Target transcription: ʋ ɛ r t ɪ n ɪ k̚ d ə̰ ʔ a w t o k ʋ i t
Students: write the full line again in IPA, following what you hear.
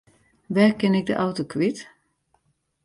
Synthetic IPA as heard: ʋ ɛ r k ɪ n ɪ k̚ d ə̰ ʔ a w t o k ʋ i t